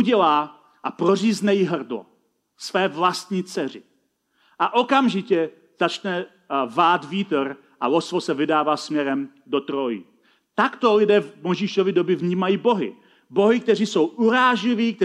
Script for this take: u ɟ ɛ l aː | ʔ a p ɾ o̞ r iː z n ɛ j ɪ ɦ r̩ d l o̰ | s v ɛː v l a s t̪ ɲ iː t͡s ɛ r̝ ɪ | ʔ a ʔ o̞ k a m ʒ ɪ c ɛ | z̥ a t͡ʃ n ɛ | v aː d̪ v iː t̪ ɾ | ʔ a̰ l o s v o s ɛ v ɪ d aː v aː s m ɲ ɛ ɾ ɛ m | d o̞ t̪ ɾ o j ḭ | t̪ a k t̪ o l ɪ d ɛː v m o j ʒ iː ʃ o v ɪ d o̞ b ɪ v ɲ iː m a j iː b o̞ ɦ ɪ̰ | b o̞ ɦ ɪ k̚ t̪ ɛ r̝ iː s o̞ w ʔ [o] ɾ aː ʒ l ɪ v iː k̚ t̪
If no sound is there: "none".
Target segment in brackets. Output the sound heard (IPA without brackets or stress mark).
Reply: u